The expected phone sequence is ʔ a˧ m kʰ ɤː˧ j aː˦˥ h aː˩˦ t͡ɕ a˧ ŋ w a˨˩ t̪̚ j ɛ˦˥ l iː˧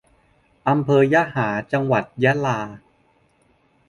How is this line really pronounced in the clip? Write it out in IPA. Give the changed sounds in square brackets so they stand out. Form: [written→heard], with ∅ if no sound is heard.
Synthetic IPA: ʔ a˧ m [kʰ→pʰ] ɤː˧ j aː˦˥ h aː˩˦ t͡ɕ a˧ ŋ w a˨˩ t̪̚ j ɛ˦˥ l [iː˧→aː˧]